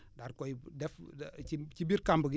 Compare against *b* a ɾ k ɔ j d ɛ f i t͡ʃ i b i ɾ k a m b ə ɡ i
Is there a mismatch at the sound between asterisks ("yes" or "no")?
yes